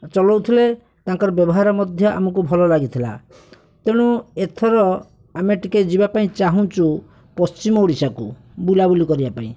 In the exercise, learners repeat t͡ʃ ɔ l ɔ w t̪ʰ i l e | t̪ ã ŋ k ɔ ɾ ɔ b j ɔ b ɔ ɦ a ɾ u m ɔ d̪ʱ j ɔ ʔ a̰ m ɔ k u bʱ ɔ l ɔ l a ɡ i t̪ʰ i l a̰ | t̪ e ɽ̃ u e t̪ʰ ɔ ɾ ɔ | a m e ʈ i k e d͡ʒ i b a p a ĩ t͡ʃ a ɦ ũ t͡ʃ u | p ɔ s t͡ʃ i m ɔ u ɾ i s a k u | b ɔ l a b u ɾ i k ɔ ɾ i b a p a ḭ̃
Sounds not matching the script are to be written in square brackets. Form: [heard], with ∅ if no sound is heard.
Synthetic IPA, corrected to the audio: t͡ʃ ɔ l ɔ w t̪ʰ i l e | t̪ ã ŋ k ɔ ɾ ɔ b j ɔ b ɔ ɦ a ɾ [ɔ] m ɔ d̪ʱ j ɔ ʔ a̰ m ɔ k u bʱ ɔ l ɔ l a ɡ i t̪ʰ i l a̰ | t̪ e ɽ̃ u e t̪ʰ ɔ ɾ ɔ | a m e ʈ i k e d͡ʒ i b a p a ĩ t͡ʃ a ɦ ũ t͡ʃ u | p ɔ s t͡ʃ i m ɔ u [ɽ] i s a k u | b [u] l a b u [l] i k ɔ ɾ i b a p a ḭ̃

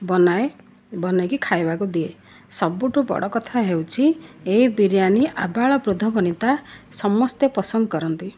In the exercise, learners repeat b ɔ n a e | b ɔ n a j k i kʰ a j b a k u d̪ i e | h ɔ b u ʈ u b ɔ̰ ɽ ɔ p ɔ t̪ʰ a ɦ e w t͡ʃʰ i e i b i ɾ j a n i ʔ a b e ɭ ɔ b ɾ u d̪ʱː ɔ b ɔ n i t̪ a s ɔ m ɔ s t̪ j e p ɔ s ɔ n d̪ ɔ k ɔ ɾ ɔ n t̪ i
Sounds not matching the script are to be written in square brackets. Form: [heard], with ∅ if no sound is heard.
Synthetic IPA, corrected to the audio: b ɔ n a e | b ɔ n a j k i kʰ a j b a k u d̪ i e | [s] ɔ b u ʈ u b ɔ̰ ɽ ɔ [k] ɔ t̪ʰ a ɦ e w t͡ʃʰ i e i b i ɾ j a n i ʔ a b [a] ɭ ɔ b ɾ u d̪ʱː ɔ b ɔ n i t̪ a s ɔ m ɔ s t̪ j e p ɔ s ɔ n d̪ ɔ k ɔ ɾ ɔ n t̪ i

